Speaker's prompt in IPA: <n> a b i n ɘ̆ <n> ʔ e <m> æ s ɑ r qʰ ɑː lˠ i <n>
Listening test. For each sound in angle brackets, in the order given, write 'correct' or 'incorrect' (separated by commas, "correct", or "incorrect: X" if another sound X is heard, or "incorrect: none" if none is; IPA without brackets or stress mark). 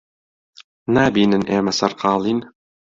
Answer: correct, correct, correct, correct